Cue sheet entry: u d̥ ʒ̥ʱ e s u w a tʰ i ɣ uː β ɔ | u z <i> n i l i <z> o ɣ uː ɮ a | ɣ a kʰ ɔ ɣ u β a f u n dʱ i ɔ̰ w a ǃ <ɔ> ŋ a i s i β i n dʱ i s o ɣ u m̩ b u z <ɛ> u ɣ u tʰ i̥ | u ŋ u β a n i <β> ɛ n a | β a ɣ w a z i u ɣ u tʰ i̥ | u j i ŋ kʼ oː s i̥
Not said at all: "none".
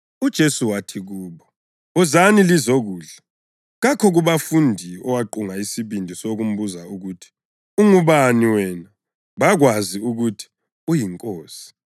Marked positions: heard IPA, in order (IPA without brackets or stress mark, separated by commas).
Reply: a, z, u, a, w